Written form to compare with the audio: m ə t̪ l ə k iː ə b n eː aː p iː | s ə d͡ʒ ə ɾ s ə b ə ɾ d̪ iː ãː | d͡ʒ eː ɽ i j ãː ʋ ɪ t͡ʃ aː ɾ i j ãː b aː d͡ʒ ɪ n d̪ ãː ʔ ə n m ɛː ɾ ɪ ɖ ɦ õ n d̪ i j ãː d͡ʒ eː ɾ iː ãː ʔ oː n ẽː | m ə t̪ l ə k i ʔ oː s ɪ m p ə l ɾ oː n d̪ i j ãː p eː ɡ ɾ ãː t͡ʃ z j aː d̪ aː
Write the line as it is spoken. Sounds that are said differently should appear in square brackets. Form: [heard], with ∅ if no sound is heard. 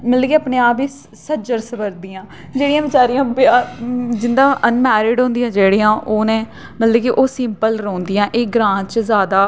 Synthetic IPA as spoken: m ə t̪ l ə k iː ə [p] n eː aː p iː | s ə d͡ʒ ə ɾ s ə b ə ɾ d̪ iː ãː | d͡ʒ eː ɽ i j ãː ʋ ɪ t͡ʃ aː ɾ i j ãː b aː d͡ʒ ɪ n d̪ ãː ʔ ə n m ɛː ɾ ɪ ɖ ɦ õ n d̪ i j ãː d͡ʒ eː [ɽ] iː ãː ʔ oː n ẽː | m ə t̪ l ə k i ʔ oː s ɪ m p ə l ɾ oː n d̪ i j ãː [ʔ] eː ɡ ɾ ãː t͡ʃ z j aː d̪ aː